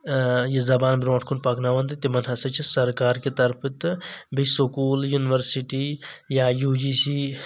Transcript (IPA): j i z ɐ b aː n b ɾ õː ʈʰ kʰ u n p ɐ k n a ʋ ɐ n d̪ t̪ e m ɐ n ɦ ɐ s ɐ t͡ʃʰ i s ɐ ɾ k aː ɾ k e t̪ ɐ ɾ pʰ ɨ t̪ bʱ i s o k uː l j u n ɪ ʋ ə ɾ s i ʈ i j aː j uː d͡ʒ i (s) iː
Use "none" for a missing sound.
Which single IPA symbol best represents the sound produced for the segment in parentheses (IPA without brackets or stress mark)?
s